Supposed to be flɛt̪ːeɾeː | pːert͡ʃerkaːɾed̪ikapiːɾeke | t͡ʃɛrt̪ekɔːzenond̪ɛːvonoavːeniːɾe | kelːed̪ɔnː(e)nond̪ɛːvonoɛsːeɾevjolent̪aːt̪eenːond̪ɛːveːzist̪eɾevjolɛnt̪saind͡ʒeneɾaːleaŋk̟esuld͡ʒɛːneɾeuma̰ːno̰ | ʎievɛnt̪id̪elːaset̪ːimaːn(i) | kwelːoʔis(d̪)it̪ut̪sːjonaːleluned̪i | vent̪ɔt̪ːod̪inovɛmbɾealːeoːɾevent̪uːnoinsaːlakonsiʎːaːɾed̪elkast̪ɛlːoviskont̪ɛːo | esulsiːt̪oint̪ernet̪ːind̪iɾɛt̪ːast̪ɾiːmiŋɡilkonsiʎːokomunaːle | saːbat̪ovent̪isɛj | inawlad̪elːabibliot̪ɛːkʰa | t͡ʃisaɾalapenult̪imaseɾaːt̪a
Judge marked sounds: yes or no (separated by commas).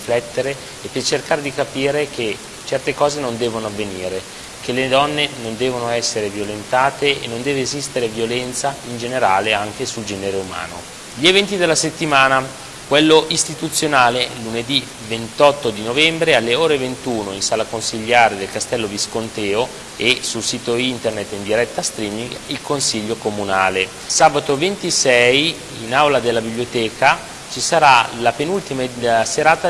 yes, no, no